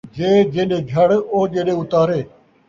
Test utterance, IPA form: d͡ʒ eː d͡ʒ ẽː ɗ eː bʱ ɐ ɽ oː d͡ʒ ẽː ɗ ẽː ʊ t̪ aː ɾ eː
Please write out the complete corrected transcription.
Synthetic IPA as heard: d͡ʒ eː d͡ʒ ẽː ɗ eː ɡʱ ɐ ɽ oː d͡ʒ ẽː ɗ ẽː ʊ t̪ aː ɾ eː